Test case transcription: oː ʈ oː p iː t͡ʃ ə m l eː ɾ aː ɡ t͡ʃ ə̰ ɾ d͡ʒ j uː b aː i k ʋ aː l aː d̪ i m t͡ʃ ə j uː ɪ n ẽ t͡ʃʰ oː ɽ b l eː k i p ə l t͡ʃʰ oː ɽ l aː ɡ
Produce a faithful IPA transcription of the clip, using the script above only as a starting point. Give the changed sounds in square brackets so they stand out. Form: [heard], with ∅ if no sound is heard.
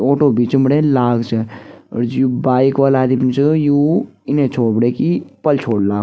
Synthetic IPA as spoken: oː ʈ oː [b] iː t͡ʃ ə m [ɽ] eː [l] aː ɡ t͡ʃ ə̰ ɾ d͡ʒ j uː b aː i k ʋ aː l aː d̪ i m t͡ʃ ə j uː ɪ n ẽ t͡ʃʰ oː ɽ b [ɽ] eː k i p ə l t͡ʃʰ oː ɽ l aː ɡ